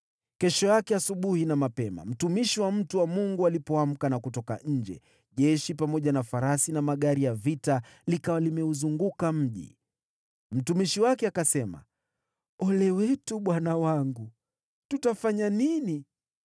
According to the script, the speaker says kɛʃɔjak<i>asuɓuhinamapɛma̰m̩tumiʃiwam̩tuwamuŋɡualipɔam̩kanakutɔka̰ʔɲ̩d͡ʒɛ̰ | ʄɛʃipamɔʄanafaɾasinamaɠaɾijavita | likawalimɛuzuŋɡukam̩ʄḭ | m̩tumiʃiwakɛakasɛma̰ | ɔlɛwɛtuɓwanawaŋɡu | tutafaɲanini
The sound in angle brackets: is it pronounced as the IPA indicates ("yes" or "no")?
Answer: no